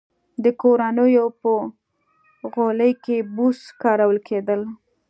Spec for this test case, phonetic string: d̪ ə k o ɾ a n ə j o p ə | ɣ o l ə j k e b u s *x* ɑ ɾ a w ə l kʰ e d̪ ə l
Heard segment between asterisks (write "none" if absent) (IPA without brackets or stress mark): k